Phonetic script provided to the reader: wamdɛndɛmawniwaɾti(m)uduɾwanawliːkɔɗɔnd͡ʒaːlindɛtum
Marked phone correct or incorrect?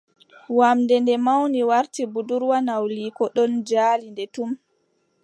incorrect